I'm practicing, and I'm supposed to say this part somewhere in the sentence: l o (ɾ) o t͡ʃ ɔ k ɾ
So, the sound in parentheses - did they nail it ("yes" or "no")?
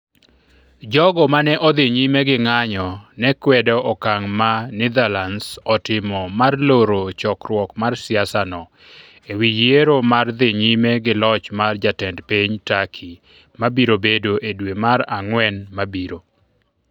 yes